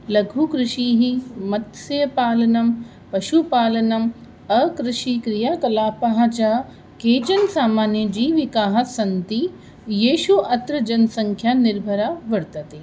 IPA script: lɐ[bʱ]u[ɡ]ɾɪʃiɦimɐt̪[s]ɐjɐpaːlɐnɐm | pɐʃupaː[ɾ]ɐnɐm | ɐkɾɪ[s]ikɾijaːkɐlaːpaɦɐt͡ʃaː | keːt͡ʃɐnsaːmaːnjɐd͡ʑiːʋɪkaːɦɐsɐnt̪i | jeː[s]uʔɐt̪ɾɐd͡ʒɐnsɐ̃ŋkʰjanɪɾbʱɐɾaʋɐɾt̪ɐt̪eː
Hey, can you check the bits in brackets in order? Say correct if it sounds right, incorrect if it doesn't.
incorrect, incorrect, correct, incorrect, incorrect, incorrect

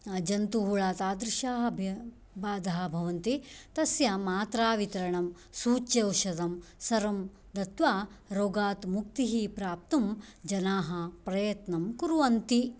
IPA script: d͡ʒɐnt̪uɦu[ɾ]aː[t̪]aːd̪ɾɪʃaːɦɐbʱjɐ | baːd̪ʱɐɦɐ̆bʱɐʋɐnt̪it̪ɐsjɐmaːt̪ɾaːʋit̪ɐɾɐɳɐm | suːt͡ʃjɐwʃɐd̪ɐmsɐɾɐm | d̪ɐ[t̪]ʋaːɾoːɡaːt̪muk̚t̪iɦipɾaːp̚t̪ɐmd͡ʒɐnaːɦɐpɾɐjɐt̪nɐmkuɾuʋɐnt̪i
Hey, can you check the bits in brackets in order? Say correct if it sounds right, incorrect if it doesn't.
incorrect, correct, correct

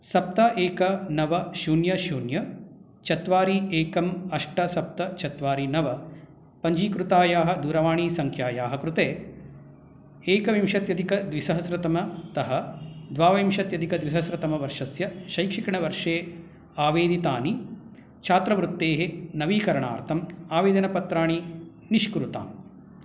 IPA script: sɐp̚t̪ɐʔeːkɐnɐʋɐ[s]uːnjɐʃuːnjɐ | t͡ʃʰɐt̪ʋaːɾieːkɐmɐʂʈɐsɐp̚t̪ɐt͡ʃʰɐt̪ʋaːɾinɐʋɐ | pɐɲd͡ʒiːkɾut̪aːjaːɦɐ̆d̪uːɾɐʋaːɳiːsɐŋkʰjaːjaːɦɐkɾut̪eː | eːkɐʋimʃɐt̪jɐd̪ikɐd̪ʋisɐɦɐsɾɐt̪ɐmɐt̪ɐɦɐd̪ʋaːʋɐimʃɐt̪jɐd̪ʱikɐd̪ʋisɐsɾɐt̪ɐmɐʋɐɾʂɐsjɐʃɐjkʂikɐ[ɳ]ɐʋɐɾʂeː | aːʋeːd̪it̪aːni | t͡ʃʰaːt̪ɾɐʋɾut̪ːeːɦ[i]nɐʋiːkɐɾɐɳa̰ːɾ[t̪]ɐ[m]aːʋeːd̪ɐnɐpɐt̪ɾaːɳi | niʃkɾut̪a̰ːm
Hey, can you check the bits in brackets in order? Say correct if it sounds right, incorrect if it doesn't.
incorrect, correct, incorrect, incorrect, correct

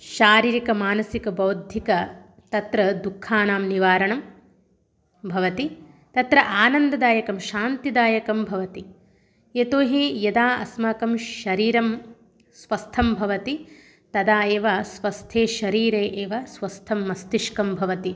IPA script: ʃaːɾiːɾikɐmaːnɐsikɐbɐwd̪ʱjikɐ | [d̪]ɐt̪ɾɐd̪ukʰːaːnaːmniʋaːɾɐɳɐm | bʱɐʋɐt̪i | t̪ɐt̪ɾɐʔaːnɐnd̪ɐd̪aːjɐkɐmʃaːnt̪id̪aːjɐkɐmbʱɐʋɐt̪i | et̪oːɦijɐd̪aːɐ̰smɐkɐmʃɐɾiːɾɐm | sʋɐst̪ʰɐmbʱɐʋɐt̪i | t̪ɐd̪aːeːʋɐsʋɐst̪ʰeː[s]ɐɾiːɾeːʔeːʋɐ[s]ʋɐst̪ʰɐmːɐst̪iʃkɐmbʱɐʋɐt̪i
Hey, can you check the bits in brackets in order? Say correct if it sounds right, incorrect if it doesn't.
incorrect, incorrect, correct

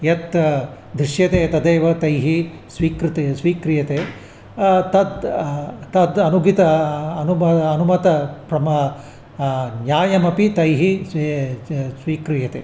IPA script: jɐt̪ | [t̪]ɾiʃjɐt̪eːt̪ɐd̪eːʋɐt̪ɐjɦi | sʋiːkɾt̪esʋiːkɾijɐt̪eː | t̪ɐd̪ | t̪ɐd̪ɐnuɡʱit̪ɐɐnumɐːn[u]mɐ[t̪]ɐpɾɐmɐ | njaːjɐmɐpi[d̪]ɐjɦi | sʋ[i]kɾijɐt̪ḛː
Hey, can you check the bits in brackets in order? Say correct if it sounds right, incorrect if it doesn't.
incorrect, correct, correct, incorrect, incorrect

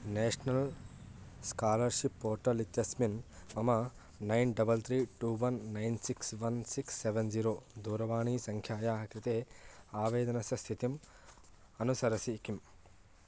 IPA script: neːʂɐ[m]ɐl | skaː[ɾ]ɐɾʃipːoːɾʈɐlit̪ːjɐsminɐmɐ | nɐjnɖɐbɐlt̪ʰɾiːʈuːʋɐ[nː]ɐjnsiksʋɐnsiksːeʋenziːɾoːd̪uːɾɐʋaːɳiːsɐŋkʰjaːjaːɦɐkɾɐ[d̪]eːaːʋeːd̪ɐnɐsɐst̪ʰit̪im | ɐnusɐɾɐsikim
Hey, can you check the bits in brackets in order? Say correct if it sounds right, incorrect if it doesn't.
incorrect, incorrect, correct, incorrect

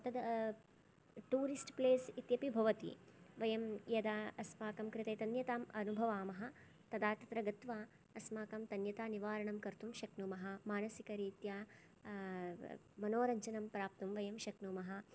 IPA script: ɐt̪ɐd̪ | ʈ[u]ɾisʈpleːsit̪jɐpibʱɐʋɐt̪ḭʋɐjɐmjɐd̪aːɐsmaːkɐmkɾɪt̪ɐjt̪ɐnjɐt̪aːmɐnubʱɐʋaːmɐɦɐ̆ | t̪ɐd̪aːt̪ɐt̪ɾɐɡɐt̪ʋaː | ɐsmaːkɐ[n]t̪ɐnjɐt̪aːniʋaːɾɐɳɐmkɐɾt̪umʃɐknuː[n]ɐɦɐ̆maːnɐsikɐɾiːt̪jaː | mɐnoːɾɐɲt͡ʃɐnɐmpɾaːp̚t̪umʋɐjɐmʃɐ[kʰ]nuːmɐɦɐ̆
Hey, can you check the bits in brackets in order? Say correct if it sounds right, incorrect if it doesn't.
incorrect, incorrect, incorrect, incorrect

